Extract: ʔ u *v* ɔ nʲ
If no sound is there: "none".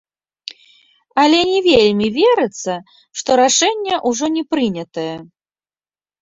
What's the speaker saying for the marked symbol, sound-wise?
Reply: ʐ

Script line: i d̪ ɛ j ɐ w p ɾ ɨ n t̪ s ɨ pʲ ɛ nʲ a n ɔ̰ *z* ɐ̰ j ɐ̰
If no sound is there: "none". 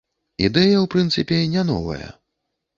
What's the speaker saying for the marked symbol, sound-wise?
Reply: v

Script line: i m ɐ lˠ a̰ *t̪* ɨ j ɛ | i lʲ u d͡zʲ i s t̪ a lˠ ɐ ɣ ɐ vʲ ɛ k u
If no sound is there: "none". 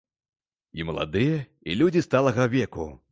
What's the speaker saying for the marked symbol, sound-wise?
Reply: d̪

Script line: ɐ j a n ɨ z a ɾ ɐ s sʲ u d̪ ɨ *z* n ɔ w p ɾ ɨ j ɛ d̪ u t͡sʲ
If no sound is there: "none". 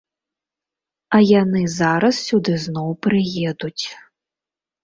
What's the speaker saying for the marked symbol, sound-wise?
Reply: z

